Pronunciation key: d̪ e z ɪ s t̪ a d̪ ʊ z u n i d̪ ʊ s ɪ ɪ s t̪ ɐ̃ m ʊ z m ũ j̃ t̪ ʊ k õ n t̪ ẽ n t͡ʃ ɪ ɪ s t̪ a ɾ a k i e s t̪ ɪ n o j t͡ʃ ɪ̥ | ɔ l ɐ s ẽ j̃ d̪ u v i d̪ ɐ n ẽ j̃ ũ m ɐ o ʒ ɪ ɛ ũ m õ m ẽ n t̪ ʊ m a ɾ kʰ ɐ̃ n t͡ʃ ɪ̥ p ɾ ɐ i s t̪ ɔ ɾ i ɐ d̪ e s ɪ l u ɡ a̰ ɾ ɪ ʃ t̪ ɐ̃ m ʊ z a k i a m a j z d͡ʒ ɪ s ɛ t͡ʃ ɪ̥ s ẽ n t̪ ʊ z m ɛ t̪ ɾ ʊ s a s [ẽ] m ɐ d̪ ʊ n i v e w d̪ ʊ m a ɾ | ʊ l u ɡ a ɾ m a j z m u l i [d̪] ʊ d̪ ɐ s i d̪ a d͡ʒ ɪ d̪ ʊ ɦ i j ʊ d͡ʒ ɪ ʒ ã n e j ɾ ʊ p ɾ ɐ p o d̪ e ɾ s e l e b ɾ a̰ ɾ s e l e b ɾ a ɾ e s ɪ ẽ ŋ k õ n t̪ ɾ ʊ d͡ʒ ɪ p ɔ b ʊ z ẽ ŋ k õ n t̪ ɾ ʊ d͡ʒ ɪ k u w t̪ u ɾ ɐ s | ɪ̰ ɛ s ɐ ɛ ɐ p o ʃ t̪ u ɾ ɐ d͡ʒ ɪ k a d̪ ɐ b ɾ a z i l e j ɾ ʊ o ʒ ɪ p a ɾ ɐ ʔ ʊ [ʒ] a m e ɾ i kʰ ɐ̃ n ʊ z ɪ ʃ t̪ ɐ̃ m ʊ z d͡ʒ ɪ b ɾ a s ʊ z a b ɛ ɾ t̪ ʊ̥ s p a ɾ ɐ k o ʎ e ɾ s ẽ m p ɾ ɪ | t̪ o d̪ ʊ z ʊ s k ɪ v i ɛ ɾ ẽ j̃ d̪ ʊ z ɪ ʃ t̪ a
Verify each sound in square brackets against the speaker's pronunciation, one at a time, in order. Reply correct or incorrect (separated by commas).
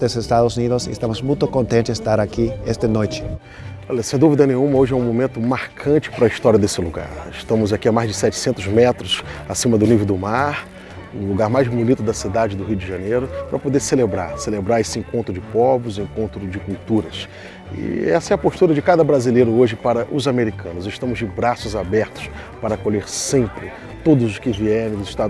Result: incorrect, incorrect, incorrect